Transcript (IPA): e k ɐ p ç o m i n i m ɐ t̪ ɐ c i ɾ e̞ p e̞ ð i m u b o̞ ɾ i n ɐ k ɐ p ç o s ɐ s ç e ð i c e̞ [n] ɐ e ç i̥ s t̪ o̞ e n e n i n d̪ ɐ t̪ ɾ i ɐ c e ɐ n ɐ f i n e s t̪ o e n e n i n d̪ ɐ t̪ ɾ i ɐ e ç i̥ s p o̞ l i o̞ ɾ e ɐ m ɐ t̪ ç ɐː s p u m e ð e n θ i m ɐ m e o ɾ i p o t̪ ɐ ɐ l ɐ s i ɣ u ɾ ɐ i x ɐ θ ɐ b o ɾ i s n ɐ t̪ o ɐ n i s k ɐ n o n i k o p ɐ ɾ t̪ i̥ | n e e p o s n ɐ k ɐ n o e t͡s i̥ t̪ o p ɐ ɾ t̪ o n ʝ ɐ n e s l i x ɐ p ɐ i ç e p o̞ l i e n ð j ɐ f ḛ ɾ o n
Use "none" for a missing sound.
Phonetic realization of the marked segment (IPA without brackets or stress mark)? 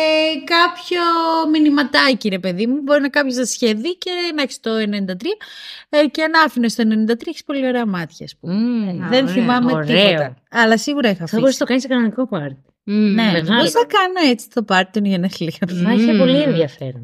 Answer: n